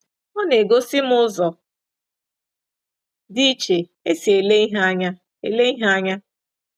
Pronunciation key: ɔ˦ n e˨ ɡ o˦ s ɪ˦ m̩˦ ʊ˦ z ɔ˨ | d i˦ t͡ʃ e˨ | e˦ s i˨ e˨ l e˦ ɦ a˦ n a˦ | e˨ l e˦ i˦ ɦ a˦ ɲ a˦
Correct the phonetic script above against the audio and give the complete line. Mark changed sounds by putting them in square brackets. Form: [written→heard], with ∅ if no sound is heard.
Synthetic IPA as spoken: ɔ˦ n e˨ ɡ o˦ s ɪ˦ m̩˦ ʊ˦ z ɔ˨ | d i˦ t͡ʃ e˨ | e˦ s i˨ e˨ l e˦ ɦ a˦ [n→ɲ] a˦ | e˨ l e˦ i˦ ɦ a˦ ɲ a˦